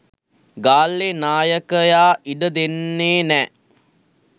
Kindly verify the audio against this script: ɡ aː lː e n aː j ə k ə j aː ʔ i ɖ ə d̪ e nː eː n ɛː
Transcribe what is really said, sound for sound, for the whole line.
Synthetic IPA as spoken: ɡ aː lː e n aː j ə k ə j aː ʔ i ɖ ə d̪ e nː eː n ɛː